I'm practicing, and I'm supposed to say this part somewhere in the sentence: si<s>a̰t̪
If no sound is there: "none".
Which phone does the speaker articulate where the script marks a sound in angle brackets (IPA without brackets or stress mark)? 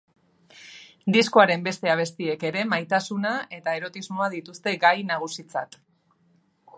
t͡s